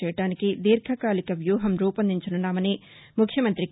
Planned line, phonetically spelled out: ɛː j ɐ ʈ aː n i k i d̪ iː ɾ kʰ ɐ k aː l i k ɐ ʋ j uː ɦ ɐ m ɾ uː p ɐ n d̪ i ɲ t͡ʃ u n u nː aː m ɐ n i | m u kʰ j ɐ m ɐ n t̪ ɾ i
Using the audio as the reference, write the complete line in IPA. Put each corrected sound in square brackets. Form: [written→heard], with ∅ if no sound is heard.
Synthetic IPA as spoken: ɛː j ɐ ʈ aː n i k i d̪ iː ɾ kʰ ɐ k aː l i k ɐ ʋ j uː ɦ ɐ m ɾ uː p ɐ n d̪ i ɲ t͡ʃ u n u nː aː m ɐ n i | m u kʰ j ɐ m ɐ n t̪ ɾ i